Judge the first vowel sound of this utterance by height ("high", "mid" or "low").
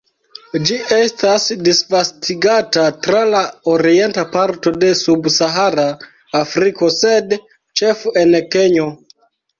high